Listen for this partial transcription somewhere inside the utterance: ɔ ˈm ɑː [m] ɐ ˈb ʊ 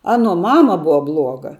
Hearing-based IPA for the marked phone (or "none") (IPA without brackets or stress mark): m